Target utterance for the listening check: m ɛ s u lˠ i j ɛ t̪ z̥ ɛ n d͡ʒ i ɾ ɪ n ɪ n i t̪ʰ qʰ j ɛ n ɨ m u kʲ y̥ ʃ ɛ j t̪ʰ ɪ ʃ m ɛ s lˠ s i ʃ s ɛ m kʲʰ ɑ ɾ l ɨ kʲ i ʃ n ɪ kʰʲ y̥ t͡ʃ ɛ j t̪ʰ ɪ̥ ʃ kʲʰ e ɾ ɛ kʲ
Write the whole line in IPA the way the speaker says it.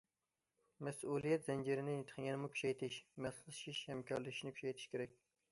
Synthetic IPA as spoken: m ɛ s u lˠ i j ɛ t̪ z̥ ɛ n d͡ʒ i ɾ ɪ n ɪ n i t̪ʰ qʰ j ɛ n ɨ m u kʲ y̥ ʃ ɛ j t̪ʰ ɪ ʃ m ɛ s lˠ ʃ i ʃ h ɛ m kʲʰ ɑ ɾ l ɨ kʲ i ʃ n ɪ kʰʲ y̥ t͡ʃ ɛ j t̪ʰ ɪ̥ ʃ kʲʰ e ɾ ɛ kʲ